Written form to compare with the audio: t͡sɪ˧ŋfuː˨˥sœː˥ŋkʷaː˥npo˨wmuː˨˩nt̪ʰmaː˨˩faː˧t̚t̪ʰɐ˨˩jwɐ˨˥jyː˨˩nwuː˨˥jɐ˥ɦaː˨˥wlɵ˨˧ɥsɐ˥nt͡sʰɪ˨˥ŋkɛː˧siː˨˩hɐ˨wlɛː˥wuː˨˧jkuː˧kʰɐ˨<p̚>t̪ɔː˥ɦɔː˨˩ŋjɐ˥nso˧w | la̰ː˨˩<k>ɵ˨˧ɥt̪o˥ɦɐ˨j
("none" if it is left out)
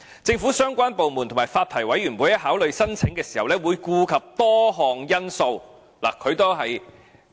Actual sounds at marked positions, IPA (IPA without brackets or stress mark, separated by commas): p̚, kʰ